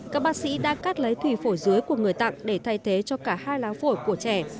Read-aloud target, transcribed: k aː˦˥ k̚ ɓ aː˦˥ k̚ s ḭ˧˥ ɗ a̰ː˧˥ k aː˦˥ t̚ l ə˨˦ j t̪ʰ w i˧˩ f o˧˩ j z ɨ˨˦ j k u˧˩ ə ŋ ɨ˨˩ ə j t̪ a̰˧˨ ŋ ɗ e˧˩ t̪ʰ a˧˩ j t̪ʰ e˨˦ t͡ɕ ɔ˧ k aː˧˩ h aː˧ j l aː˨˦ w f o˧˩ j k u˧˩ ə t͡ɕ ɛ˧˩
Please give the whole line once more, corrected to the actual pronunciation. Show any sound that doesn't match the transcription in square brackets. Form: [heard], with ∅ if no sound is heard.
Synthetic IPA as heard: k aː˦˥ k̚ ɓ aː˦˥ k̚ s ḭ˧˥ ɗ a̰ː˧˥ k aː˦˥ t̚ l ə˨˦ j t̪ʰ w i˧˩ f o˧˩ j z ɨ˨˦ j k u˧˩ ə ŋ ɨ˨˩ ə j t̪ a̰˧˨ ŋ ɗ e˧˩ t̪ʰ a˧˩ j t̪ʰ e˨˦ t͡ɕ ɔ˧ k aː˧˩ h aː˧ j l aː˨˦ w f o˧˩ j k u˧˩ ə t͡ɕ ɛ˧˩